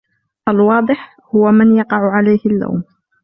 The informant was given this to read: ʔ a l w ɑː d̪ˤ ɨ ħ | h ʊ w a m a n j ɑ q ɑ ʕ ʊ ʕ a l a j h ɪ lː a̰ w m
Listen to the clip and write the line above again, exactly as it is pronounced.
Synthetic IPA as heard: ʔ a l w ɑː d̪ˤ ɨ ħ | h ʊ w a m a n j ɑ q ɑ ʕ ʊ ʕ a l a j h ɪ lː a̰ w m